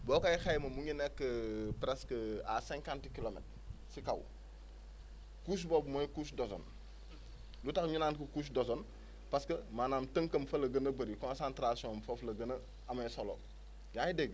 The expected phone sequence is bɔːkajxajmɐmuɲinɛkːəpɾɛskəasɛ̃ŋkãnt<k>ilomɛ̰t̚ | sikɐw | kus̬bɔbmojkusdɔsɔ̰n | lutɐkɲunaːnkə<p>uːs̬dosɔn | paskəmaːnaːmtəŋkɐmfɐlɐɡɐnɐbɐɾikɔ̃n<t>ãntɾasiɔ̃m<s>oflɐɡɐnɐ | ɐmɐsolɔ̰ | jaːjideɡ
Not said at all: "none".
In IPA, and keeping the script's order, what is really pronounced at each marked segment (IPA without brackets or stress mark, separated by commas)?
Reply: k, k, s, f